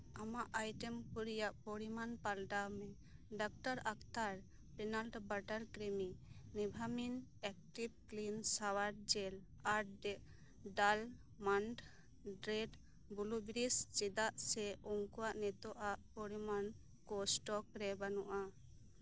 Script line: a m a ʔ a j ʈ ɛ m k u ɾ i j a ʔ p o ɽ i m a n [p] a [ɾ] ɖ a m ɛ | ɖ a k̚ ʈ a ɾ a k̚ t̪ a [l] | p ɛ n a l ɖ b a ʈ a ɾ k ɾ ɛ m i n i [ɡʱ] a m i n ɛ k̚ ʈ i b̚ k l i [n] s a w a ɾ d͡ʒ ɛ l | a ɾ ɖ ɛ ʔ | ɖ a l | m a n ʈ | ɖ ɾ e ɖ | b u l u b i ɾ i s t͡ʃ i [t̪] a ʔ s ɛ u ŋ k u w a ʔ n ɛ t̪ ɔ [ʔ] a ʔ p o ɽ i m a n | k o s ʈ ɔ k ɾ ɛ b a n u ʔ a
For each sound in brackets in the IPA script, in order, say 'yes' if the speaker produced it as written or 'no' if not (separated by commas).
yes, no, no, no, yes, no, yes